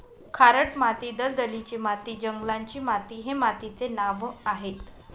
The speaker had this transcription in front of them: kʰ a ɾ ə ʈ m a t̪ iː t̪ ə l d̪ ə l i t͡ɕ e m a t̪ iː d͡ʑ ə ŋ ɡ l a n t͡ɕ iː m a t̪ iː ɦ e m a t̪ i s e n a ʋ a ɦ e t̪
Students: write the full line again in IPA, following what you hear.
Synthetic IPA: kʰ a ɾ ə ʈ m a t̪ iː d̪ ə l d̪ ə l i t͡ɕ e m a t̪ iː d͡ʑ ə ŋ ɡ l a ɲ t͡ɕ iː m a t̪ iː ɦ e m a t̪ i t͡s e n a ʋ a ɦ e t̪